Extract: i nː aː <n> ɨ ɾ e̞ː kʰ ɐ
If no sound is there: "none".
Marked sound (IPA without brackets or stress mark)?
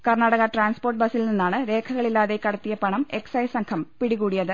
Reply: ɳ